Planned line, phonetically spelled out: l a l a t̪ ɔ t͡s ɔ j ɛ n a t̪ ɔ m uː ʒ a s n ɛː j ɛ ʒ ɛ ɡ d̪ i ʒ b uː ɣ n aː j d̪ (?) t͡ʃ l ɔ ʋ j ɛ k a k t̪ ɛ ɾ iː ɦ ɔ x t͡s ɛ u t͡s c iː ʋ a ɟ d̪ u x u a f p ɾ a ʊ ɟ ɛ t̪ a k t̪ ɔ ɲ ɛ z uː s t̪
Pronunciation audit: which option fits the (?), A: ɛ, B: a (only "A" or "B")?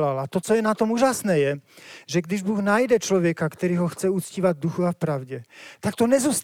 A